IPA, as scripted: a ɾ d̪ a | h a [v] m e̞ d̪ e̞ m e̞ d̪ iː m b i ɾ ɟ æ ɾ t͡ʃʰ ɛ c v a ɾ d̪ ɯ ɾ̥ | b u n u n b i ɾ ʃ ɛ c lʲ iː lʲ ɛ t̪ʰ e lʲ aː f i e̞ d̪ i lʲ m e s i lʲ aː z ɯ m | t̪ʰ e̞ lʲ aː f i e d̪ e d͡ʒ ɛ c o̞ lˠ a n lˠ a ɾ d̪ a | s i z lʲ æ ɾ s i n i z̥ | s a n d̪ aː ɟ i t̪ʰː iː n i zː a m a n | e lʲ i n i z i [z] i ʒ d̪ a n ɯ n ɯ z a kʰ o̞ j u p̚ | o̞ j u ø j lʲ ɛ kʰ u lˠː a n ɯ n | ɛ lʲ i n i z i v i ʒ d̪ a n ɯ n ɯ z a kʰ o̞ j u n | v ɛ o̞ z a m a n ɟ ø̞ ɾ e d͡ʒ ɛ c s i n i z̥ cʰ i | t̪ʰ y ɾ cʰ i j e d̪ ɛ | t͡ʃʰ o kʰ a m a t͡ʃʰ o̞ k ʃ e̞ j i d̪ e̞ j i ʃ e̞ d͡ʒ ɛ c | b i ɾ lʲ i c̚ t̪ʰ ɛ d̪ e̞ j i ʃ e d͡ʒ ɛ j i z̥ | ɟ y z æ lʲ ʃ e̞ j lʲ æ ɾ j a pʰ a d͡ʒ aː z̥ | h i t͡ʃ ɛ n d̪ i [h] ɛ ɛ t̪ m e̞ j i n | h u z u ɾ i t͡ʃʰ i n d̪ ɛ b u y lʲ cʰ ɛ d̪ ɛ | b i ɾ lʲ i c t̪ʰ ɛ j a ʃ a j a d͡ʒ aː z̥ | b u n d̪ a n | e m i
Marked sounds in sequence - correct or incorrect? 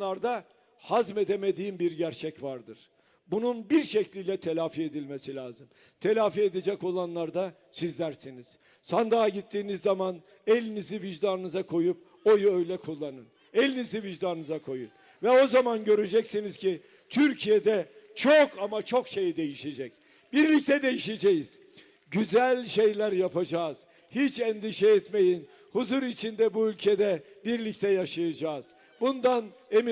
incorrect, incorrect, incorrect

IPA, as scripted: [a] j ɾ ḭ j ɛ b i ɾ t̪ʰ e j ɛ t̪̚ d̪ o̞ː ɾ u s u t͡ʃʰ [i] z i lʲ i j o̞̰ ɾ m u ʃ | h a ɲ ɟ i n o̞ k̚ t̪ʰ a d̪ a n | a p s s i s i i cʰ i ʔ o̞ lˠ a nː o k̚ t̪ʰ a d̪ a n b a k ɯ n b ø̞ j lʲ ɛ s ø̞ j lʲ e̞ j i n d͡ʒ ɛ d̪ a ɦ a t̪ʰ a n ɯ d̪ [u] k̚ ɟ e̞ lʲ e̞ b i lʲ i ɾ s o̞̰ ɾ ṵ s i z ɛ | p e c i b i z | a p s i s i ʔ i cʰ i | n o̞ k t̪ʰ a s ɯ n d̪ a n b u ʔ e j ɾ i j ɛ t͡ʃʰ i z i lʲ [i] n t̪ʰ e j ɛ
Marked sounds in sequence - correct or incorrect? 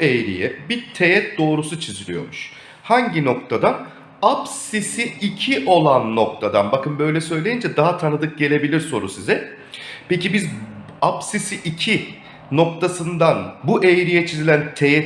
incorrect, correct, incorrect, incorrect

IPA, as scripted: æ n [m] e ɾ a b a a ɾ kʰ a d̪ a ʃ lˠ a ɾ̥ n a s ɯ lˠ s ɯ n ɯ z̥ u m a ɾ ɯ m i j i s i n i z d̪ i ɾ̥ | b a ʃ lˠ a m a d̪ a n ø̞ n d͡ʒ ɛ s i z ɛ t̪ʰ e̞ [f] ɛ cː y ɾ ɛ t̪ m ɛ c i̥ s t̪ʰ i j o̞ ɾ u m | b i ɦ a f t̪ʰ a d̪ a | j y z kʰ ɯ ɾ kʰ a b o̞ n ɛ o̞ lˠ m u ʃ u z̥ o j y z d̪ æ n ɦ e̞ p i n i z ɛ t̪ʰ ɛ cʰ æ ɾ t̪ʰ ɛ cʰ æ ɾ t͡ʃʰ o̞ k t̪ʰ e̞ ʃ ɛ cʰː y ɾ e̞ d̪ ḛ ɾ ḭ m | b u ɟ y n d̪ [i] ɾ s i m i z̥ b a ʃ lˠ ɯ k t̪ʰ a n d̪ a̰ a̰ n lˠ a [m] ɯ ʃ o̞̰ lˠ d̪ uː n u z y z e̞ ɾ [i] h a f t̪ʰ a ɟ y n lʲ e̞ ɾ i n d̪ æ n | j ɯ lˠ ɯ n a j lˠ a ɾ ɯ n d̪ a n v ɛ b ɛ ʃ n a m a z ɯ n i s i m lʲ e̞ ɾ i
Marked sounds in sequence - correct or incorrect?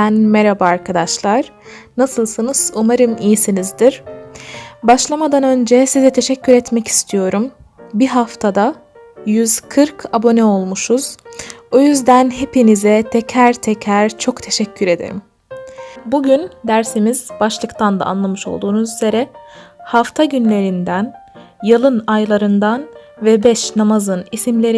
correct, incorrect, incorrect, correct, incorrect

